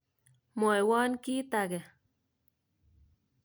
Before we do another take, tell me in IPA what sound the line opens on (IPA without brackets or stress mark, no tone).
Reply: m